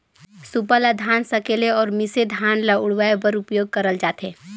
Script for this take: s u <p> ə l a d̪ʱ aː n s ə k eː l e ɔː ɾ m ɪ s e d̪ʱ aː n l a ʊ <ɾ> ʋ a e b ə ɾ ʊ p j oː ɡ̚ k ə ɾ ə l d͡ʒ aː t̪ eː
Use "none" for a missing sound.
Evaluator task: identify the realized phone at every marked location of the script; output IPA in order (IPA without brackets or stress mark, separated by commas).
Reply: p, ɽ